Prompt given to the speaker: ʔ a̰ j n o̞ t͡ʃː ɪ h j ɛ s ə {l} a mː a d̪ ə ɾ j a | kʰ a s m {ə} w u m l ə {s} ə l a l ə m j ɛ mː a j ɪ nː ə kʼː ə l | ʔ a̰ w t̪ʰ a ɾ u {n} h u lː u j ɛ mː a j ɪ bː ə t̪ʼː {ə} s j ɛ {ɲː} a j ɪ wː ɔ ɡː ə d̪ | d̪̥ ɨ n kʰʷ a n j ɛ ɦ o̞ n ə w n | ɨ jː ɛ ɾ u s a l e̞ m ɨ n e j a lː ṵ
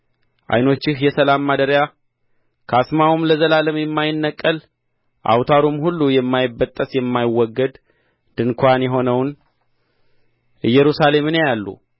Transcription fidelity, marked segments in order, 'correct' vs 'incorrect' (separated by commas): correct, incorrect, incorrect, incorrect, correct, incorrect